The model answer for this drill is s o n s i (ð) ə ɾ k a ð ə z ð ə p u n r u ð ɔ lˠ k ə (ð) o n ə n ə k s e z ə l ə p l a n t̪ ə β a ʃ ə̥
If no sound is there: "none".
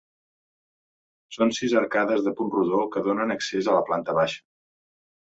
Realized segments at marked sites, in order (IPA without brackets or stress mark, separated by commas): z, ð